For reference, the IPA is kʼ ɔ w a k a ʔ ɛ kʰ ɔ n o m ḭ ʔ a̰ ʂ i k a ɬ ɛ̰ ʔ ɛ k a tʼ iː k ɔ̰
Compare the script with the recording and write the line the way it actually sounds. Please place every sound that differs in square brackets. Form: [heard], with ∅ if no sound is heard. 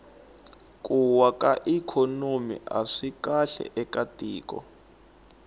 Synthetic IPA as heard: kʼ [u] w a k a ʔ [i] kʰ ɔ n o m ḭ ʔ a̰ ʂ i k a ɬ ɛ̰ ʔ ɛ k a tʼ iː k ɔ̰